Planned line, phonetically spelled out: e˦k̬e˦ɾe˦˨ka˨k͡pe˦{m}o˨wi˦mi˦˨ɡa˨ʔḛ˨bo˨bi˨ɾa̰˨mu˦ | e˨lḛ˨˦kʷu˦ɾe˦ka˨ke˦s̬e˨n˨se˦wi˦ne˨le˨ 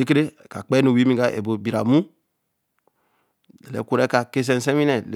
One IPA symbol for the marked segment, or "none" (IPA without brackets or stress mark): n